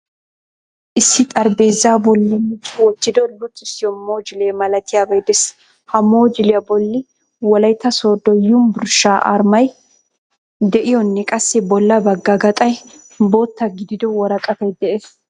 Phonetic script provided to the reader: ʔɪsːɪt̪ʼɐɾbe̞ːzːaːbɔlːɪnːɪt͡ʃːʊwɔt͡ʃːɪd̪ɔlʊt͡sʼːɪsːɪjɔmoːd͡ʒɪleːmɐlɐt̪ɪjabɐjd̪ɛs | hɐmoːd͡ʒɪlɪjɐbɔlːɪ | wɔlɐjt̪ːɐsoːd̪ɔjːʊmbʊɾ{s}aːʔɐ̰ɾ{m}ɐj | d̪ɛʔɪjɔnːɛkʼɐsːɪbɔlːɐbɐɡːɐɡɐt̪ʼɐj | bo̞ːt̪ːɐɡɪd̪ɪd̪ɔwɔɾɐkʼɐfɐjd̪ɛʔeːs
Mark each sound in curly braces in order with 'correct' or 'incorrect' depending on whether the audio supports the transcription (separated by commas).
incorrect, correct